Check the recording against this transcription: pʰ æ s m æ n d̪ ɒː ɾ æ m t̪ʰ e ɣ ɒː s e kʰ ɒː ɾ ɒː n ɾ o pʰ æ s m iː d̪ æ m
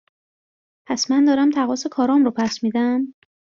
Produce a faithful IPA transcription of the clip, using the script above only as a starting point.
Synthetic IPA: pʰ æ s m æ n d̪ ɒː ɾ æ m t̪ʰ æ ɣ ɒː s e kʰ ɒː ɾ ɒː m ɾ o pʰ æ s m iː d̪ æ m